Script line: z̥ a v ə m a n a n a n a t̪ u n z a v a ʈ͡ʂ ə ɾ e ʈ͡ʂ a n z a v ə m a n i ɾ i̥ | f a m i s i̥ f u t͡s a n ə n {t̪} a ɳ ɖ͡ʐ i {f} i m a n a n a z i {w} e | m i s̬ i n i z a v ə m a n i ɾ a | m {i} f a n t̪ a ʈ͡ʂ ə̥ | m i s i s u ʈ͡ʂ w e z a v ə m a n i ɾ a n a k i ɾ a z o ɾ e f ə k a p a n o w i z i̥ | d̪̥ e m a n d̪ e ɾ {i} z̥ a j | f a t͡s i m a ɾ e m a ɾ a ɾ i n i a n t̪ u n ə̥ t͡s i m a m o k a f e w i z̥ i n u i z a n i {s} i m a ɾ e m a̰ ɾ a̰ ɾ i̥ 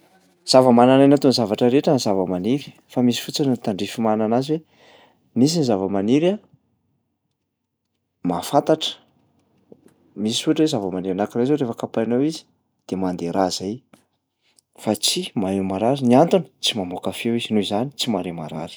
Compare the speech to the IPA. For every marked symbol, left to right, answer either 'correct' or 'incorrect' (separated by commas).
correct, correct, correct, incorrect, incorrect, incorrect